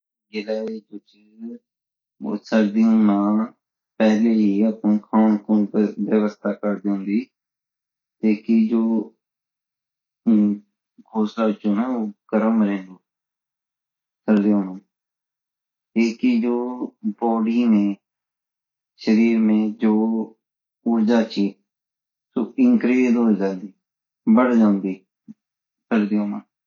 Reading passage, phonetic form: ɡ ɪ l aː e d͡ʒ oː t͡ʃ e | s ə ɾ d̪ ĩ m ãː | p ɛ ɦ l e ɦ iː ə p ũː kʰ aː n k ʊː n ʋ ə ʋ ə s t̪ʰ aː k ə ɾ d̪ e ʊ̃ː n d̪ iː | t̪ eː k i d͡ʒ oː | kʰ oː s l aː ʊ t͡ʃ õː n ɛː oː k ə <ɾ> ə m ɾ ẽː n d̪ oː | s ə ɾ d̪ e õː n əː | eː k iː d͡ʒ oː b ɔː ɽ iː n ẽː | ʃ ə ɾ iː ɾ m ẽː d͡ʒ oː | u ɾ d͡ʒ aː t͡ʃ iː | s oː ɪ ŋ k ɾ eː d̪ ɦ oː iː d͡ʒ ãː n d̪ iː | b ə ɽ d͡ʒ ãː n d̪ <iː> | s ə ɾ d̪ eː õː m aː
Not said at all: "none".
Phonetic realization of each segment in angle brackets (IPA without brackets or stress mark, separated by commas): ɾ, iː